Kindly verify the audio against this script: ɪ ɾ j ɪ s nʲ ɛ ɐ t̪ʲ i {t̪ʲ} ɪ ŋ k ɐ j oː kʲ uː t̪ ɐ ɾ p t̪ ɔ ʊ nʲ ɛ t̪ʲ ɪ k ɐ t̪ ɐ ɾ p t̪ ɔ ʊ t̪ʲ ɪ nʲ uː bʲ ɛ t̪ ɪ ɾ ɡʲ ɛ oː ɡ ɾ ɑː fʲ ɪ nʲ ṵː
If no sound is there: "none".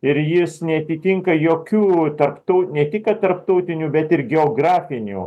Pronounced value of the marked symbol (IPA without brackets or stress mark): t̪ʲ